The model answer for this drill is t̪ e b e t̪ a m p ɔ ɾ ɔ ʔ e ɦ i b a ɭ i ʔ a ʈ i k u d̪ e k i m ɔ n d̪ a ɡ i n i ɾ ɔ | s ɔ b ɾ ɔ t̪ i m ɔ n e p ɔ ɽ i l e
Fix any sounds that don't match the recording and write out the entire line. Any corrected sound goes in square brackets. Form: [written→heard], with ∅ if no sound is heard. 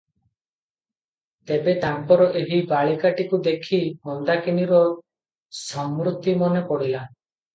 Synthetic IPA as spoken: t̪ e b e t̪ a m p ɔ ɾ ɔ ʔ e ɦ i b a ɭ i [ʔ→k] a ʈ i k u d̪ e [k→kʰ] i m ɔ n d̪ a [ɡ→k] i n i ɾ ɔ | s ɔ [b→m] ɾ [ɔ→u] t̪ i m ɔ n e p ɔ ɽ i l [e→a]